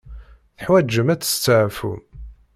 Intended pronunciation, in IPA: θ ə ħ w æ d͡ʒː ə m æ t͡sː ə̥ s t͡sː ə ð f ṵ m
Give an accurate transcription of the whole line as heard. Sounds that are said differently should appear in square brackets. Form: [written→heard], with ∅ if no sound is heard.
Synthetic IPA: θ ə ħ w æ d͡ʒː ə m æ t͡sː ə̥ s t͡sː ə [ð→ʕ] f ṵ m